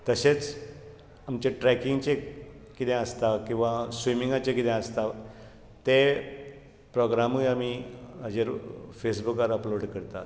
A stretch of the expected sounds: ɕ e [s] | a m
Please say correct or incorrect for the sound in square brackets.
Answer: incorrect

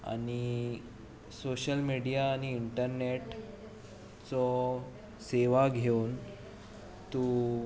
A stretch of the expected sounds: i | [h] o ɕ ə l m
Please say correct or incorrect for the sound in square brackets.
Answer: incorrect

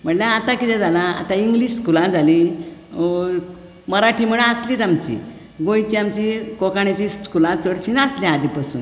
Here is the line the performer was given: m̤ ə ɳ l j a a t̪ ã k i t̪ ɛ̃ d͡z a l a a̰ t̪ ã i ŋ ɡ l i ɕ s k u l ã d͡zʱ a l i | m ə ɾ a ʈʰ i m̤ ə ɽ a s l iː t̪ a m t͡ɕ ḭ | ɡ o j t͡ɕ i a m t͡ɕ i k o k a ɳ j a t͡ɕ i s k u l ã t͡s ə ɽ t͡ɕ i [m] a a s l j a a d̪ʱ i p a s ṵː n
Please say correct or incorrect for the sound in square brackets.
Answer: incorrect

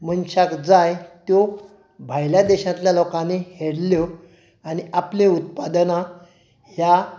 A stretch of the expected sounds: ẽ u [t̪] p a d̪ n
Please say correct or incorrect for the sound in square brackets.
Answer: correct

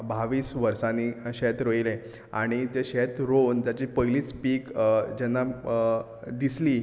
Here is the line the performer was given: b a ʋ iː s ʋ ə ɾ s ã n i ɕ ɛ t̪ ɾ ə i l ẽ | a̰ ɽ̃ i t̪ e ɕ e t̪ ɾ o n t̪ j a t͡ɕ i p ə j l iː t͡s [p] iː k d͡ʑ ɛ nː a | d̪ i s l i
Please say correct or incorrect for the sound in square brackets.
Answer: correct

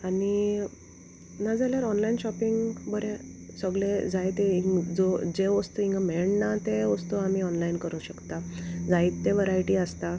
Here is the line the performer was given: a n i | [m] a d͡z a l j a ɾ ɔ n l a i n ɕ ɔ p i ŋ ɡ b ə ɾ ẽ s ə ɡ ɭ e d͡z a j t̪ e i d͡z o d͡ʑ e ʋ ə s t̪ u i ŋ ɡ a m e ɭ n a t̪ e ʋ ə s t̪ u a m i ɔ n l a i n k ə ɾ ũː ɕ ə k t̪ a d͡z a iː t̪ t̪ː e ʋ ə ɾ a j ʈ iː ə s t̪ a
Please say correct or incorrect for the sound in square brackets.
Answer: incorrect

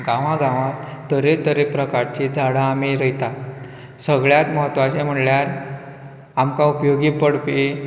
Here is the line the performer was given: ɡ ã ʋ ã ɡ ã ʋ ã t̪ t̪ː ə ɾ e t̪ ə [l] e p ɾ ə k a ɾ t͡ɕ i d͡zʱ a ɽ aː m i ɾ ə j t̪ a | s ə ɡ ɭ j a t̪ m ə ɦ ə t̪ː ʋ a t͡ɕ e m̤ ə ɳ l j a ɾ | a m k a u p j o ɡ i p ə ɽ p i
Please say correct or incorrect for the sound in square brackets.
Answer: incorrect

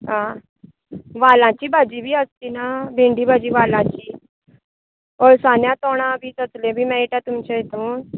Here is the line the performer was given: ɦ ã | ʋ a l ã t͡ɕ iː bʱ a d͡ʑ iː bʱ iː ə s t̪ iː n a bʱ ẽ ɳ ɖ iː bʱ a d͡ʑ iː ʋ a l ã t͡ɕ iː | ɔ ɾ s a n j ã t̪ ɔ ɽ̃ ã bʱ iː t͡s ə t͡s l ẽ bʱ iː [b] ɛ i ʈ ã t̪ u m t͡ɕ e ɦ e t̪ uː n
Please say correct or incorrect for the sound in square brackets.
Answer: incorrect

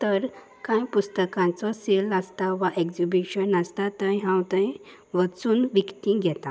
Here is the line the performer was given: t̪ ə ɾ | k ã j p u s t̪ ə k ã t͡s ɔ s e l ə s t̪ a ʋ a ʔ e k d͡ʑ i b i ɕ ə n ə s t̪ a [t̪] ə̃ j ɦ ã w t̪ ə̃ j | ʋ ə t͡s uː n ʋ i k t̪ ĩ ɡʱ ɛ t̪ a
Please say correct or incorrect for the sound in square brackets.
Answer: correct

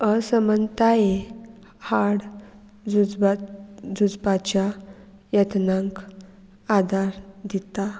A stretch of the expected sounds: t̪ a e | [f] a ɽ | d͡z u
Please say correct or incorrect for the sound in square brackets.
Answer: incorrect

